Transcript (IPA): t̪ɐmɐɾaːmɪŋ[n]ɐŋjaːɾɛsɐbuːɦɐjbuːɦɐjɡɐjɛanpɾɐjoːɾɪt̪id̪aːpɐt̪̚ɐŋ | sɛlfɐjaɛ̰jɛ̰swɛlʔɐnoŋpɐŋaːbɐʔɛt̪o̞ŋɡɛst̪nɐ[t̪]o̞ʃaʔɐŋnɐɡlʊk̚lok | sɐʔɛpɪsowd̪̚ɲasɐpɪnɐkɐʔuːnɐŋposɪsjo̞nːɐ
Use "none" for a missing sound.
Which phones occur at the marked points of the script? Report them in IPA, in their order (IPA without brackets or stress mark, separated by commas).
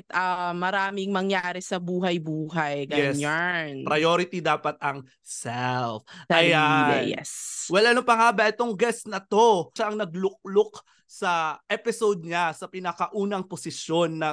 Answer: m, t̪